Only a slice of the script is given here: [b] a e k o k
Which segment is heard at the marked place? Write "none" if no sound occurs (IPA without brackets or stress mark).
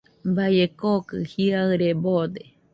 b